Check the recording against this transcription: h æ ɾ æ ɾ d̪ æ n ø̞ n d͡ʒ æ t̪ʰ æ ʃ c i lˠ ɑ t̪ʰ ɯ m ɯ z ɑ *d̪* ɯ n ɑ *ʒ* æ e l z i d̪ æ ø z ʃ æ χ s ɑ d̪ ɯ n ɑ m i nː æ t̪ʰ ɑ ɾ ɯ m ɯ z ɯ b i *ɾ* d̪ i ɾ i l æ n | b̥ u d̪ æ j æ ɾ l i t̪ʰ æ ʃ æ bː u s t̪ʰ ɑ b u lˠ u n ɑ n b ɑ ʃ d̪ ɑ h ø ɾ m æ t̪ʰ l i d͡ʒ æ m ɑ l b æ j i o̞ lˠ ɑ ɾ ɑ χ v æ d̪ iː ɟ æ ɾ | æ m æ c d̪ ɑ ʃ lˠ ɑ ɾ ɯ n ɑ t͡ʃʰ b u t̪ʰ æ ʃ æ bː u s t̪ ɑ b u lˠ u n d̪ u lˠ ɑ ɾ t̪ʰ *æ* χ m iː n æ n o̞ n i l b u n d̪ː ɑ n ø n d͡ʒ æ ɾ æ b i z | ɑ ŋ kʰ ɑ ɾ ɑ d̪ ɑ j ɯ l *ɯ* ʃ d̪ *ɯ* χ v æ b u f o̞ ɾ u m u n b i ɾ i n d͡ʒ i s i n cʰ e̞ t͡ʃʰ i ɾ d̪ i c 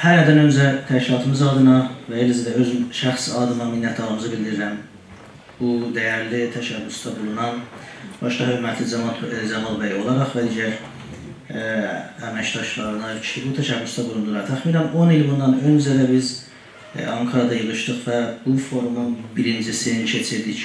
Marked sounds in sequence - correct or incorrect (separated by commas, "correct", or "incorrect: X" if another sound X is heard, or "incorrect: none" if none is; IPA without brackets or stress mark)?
correct, incorrect: v, incorrect: l, correct, correct, correct